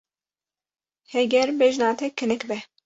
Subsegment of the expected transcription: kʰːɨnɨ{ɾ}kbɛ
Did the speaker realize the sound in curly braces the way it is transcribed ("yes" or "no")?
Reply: no